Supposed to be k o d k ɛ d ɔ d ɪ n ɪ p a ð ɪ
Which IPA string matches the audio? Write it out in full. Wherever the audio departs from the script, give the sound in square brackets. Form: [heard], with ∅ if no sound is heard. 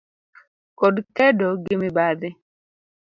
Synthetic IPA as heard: k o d k ɛ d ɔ [ɡ] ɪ [m] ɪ [b] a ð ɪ